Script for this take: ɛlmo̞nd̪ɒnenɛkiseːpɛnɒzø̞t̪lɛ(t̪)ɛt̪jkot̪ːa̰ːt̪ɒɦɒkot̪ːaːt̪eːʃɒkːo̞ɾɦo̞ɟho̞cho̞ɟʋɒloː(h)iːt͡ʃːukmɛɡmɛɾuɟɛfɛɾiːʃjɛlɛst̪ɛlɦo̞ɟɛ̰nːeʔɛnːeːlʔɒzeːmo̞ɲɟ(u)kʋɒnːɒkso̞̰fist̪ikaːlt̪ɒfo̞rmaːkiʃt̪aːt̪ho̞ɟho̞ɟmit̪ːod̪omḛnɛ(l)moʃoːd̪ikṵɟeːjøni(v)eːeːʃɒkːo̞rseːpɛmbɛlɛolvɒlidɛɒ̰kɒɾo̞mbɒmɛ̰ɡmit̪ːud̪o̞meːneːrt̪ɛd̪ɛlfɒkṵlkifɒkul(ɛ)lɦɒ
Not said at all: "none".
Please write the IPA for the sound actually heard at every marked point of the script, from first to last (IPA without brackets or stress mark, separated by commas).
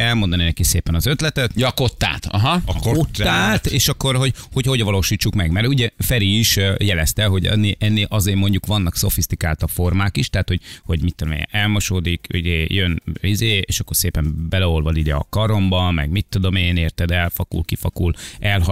t̪, ʃ, u, l, z, ɛ